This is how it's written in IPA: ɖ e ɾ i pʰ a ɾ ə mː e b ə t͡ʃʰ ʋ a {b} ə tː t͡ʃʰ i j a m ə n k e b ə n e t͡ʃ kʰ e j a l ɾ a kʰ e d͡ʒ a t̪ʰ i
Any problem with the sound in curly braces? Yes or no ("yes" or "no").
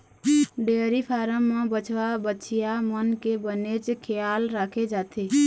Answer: no